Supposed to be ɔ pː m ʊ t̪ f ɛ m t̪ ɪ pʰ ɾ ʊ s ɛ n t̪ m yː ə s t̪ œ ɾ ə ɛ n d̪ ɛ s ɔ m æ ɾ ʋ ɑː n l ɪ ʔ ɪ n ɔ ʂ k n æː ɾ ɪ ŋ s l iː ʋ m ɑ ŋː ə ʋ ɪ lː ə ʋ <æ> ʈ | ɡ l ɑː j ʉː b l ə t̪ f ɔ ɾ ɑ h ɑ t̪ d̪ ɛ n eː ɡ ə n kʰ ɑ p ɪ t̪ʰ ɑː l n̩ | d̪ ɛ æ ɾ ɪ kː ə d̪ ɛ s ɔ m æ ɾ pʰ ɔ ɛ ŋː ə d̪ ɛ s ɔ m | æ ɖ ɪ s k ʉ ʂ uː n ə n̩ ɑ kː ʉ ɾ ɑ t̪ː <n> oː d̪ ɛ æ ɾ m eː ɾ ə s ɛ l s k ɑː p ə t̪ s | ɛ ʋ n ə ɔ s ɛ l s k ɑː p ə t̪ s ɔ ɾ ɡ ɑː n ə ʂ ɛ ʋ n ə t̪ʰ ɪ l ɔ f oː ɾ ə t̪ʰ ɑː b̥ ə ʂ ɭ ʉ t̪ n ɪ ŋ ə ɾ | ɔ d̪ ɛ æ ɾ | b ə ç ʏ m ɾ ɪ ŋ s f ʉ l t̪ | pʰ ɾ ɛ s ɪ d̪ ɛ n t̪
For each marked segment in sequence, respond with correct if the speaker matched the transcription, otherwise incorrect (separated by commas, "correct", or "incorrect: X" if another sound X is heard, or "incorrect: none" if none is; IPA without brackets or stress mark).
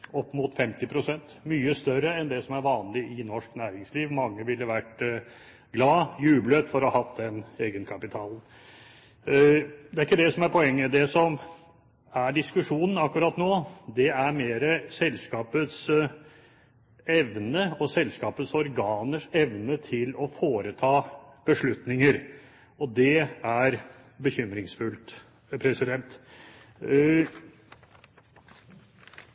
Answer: correct, correct